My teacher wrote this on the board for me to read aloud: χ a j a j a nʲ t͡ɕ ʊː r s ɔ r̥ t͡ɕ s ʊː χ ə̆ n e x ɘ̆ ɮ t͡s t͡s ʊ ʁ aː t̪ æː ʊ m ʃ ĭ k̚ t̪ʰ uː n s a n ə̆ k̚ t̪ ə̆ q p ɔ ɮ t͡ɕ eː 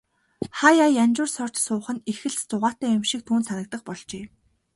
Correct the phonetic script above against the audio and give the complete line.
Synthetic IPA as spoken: χ a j a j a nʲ t͡ɕ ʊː r s ɔ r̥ t͡ɕ s ʊː χ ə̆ n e x ɘ̆ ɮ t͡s t͡s ʊ ʁ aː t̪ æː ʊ m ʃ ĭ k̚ t̪ʰ uː n s a n ə̆ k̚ t̪ ə̆ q p ɔ ɮ t͡ɕ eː

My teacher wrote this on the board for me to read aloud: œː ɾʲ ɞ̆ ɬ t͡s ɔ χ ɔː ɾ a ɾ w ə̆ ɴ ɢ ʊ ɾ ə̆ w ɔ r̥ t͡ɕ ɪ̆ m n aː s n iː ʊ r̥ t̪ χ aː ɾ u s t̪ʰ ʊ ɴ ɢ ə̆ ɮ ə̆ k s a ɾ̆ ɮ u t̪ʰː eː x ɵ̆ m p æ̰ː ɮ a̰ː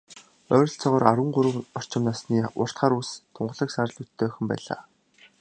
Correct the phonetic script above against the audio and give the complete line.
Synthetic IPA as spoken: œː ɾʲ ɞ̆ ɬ t͡s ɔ ʁ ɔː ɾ a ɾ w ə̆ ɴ ɢ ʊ ɾ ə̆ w ɔ r̥ t͡ɕ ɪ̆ m n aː s n iː ʊ r̥ t̪ χ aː ɾ u s t̪ʰ ʊ ɴ ɢ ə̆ ɮ ə̆ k s a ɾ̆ ɮ u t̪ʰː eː x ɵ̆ m p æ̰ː ɮ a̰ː

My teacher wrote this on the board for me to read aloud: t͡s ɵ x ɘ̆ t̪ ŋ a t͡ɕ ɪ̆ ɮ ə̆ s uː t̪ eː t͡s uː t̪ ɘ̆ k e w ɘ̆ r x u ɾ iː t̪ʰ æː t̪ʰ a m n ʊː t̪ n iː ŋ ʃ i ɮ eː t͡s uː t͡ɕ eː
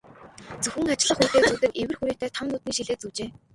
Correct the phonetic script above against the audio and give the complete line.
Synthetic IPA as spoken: t͡s ɵ x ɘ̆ ŋ a t͡ɕ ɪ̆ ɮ ə̆ χ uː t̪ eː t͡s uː t̪ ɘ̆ k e w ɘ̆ r x u ɾ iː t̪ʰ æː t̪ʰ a m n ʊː t̪ n iː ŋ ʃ i ɮ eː t͡s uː t͡ɕ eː

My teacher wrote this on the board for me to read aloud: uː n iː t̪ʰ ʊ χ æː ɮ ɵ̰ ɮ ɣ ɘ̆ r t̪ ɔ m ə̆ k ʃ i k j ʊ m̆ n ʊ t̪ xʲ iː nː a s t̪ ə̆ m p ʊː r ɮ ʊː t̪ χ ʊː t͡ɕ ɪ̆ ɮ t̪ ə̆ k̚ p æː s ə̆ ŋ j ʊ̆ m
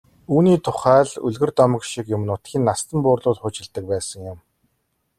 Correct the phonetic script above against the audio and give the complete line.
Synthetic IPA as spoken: uː n iː t̪ʰ ʊ χ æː ɮ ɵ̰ ɮ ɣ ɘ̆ r t̪ ɔ m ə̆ k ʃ i k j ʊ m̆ n ʊ t̪ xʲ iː nː a s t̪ ə̆ m p ʊː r ɮ ʊː t̪ χ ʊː t͡ɕ ɪ̆ ɮ t̪ ə̆ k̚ p æː s ə̆ ŋ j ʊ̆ m

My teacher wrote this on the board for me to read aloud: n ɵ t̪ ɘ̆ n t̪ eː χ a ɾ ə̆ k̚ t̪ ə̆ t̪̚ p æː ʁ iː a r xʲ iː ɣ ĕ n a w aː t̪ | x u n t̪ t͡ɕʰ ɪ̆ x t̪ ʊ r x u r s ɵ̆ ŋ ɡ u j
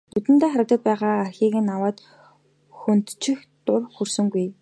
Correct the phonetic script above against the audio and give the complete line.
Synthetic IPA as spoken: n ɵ t̪ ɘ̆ n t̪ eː χ a ɾ ə̆ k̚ t̪ ə̆ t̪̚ p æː ʁ aː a r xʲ iː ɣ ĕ n a w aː t̪ | x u n t̪ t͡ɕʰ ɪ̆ x t̪ ʊ r x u r s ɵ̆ ŋ ɡ u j

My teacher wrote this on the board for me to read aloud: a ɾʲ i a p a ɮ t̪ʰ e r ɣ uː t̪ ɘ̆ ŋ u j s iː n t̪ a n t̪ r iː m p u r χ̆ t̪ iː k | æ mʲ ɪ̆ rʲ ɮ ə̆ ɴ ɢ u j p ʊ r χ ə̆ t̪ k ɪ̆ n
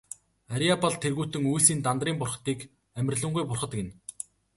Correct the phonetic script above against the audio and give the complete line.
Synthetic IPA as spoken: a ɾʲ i a p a ɮ t̪ʰ e r ɣ uː t̪ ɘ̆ ŋ u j s iː n t̪ a n t̪ r iː m p ʊ r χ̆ t̪ iː k | æ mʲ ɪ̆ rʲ ɮ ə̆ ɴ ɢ u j p ʊ r χ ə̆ t̪ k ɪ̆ n

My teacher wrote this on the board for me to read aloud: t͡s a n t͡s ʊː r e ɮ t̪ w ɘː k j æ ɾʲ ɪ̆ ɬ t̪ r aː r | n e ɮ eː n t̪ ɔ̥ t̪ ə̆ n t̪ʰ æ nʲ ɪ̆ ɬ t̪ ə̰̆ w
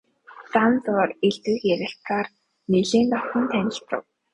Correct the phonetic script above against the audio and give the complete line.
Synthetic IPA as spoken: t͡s a n t͡s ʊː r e ɮ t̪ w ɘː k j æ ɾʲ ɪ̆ ɬ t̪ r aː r | n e ɮ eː n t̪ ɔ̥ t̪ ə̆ n t̪ʰ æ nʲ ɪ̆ ɬ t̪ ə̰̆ w

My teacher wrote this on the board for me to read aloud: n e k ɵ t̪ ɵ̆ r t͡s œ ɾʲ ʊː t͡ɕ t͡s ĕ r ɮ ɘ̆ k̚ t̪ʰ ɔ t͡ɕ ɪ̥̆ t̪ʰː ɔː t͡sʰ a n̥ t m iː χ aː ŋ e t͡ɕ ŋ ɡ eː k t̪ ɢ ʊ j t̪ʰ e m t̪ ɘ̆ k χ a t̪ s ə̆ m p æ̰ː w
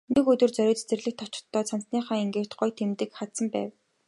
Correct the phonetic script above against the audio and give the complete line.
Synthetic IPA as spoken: n e k ɵ t̪ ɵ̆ r t͡s œ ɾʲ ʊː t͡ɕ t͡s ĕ r ɮ ɘ̆ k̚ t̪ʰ ɔ t͡ɕ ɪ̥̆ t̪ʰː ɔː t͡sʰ a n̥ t n iː χ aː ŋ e ŋ ɡ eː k t̪ ɢ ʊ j t̪ʰ e m t̪ ɘ̆ k χ a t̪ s ə̆ m p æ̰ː w

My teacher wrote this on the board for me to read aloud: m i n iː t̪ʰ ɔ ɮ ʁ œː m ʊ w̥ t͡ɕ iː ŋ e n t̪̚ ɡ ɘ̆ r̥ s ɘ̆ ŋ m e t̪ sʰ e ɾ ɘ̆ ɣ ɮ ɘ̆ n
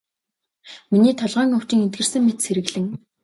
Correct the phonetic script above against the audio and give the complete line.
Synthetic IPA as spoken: m i n iː t̪ʰ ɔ ɮ ʁ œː ŋ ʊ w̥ t͡ɕ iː ŋ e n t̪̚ ɡ ɘ̆ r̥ s ɘ̆ ŋ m e t̪ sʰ e ɾ ɘ̆ ɣ ɮ ɘ̆ ŋ

